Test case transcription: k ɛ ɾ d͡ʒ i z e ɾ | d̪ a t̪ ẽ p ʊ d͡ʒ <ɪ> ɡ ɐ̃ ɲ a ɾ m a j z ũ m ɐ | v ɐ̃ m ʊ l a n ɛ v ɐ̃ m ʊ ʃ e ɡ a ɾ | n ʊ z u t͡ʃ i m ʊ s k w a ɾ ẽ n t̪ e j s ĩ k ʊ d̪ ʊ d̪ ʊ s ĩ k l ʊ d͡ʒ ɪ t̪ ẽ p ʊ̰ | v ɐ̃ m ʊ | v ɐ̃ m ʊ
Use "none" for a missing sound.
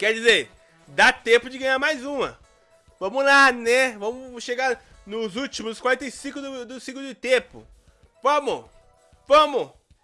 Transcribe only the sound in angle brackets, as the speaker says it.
ɪ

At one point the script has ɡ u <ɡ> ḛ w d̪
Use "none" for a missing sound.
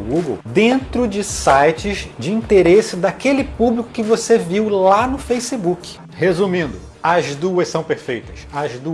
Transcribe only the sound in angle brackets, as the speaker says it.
ɡ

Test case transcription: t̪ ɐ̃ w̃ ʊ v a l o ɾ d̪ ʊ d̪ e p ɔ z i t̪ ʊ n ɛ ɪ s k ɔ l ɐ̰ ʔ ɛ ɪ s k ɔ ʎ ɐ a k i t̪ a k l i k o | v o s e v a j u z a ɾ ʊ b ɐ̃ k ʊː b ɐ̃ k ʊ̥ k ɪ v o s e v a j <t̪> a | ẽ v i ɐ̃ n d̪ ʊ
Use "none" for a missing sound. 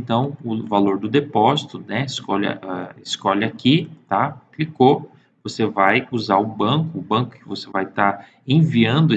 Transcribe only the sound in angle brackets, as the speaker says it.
t̪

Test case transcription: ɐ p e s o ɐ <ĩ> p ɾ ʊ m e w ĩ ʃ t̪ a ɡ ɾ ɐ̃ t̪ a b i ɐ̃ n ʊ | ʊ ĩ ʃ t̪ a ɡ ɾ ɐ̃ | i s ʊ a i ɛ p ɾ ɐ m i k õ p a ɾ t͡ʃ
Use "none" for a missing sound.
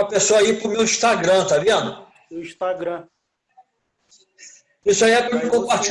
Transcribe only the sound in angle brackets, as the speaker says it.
i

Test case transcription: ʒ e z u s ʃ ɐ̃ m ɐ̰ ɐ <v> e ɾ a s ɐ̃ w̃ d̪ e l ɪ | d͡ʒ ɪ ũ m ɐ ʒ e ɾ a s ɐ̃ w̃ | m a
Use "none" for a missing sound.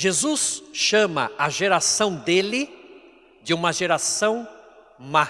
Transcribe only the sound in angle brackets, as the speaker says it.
ʒ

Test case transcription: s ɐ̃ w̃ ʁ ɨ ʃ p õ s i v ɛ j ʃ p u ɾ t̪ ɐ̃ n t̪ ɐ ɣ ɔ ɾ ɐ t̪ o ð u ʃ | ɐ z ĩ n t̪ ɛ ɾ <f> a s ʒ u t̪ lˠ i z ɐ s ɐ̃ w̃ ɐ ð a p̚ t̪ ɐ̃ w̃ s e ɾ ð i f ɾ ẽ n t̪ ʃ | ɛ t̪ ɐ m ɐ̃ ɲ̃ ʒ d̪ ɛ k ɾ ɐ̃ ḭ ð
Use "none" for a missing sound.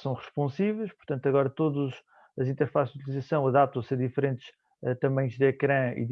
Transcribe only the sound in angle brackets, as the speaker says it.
f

